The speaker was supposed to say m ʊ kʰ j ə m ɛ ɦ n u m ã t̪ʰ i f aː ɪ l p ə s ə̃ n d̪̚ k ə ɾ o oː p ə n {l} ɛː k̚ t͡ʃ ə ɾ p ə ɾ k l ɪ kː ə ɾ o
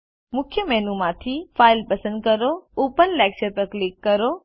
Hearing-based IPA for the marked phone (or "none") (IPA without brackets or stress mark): l